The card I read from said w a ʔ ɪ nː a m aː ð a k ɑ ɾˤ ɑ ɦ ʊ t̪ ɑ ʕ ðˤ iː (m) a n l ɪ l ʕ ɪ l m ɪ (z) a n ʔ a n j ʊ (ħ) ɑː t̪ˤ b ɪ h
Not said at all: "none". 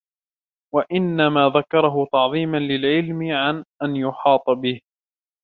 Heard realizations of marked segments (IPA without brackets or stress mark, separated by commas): m, ʕ, ħ